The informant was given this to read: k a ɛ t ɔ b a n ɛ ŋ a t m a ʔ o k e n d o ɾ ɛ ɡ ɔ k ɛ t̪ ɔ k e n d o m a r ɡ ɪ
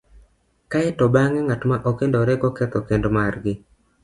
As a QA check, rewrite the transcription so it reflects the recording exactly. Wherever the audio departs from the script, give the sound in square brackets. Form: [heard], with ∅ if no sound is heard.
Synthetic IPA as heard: k a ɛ t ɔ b a [ŋ] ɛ ŋ a t m a ʔ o k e n d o ɾ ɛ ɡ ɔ k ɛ t̪ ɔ k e n d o m a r ɡ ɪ